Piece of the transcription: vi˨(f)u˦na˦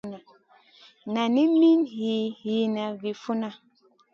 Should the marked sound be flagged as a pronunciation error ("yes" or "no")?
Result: no